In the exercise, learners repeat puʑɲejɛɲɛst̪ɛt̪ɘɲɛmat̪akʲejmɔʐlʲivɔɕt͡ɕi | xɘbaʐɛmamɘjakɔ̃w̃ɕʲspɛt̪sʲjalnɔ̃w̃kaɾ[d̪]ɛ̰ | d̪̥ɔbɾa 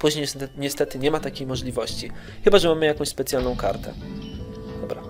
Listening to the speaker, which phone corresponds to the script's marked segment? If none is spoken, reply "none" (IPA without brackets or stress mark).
t̪